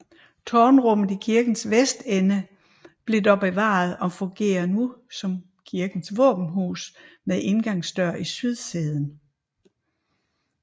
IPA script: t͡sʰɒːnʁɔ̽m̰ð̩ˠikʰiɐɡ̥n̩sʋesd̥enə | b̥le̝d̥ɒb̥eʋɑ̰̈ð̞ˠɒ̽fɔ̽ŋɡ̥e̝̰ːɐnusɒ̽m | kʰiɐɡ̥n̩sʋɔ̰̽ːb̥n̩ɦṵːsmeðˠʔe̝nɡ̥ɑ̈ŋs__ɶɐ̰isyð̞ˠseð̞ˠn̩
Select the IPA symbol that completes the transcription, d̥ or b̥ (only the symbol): d̥